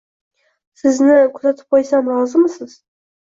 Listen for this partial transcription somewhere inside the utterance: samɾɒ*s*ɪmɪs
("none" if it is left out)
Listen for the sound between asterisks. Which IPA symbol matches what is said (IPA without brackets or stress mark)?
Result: z